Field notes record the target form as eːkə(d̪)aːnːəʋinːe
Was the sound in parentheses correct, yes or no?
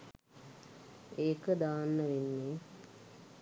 yes